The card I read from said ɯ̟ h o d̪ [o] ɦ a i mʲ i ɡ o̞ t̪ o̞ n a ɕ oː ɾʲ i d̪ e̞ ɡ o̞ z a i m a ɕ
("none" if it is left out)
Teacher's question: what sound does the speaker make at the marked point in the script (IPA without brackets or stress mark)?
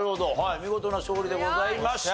o